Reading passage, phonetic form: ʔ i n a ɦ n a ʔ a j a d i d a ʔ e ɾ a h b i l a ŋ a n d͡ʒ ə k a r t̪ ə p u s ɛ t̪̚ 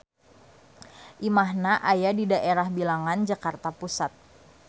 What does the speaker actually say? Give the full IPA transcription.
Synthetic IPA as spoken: ʔ i m a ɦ n a ʔ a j a d i d a ʔ e ɾ a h b i l a ŋ a n d͡ʒ a k a r t̪ a p u s a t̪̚